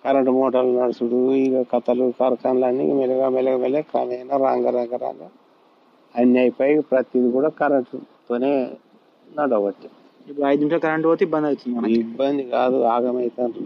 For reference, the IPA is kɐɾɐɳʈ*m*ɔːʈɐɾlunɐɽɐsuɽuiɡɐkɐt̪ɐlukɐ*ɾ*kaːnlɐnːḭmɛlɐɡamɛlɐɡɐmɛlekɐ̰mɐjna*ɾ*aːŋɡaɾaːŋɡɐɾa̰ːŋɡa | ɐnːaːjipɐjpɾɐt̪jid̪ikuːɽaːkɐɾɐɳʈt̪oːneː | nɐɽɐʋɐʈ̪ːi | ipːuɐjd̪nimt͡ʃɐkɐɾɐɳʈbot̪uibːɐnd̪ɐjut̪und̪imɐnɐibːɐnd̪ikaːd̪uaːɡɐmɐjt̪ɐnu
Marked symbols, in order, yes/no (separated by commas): yes, yes, yes